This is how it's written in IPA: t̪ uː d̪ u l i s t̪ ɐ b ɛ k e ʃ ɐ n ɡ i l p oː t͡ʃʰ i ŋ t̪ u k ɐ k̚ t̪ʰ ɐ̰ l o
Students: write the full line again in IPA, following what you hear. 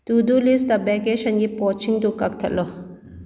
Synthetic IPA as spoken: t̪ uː d̪ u l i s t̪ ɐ b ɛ k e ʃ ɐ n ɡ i p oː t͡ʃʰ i ŋ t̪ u k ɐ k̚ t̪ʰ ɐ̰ l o